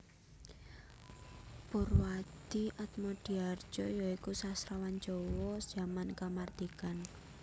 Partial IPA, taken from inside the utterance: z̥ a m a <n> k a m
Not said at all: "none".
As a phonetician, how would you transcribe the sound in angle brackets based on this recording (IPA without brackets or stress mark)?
n